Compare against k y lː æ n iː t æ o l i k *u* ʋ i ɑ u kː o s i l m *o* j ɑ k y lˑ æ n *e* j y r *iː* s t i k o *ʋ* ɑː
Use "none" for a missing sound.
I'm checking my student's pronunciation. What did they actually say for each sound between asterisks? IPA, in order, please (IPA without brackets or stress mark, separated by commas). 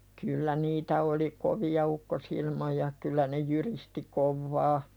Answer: o, o, e, i, ʋː